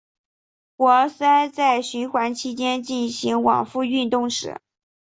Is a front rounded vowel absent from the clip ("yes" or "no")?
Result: no